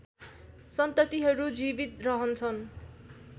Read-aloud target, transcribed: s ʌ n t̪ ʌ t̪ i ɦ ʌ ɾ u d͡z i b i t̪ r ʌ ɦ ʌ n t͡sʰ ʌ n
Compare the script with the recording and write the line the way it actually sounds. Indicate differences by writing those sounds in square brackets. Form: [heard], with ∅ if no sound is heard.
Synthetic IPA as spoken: s ʌ n t̪ ʌ t̪ i ɦ ʌ ɾ u d͡z i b i t̪ r ʌ ɦ ʌ n t͡sʰ ʌ n